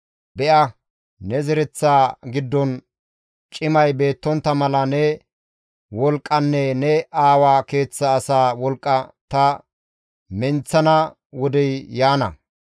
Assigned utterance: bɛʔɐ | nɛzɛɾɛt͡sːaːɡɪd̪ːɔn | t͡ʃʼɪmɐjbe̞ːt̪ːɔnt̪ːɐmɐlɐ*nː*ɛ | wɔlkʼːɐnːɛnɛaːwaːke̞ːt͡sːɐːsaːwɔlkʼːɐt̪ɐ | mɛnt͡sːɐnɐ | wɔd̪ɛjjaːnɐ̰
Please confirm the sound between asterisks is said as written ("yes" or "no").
no